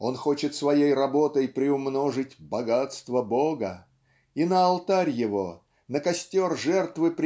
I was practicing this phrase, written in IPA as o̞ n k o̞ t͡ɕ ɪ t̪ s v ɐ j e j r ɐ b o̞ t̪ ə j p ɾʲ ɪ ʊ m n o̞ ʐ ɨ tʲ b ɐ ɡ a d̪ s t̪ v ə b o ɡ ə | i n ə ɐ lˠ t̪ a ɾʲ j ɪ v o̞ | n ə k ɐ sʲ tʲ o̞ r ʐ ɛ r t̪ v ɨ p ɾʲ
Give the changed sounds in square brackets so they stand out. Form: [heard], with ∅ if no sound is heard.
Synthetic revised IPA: o̞ n [x] o̞ t͡ɕ ɪ t̪ s v ɐ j e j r ɐ b o̞ t̪ ə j p ɾʲ ɪ ʊ m n o̞ ʐ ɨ tʲ b ɐ ɡ a [t̪] s t̪ v ə b o ɡ ə | i n ə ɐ lˠ t̪ a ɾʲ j ɪ v o̞ | n ə k ɐ sʲ tʲ o̞ r ʐ ɛ r t̪ v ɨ p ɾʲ